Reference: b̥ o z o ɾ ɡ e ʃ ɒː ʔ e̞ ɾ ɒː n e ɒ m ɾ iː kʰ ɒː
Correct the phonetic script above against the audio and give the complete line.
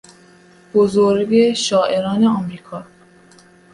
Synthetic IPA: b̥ o z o ɾ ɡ e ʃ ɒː ʔ e̞ ɾ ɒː n e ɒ m ɾ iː kʰ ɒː